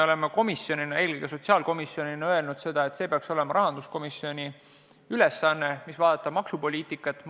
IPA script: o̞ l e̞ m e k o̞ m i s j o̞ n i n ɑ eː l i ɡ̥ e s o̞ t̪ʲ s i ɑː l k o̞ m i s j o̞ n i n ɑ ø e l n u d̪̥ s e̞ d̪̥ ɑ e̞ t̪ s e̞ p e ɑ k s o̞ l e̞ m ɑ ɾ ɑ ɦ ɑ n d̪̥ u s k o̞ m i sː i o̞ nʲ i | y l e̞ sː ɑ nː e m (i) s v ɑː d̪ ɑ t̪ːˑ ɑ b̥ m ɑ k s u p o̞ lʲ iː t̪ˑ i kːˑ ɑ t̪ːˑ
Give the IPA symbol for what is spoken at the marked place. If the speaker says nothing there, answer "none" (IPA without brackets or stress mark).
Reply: i